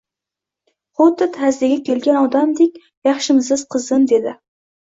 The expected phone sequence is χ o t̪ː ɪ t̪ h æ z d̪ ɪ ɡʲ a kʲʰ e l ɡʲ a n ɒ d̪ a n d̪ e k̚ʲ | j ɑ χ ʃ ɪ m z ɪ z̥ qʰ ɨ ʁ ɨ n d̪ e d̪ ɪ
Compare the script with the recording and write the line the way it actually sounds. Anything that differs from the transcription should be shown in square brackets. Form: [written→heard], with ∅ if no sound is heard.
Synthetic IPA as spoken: χ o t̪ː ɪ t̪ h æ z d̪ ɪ ɡʲ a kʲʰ e l ɡʲ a n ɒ d̪ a [n→m] d̪ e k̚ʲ | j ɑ χ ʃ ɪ m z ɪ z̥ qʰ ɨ [ʁ→z] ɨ n d̪ e d̪ ɪ